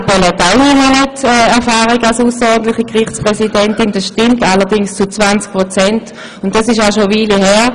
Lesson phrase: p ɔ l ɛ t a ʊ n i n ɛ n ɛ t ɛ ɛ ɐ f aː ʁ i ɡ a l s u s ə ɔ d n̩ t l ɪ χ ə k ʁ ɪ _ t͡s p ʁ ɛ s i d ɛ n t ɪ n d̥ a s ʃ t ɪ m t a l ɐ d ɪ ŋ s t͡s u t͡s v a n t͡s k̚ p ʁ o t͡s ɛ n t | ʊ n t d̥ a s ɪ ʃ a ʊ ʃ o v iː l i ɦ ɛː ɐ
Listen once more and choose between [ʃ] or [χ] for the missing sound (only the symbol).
χ